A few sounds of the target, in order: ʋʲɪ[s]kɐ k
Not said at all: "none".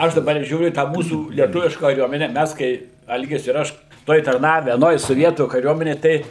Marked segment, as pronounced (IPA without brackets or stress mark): ʃ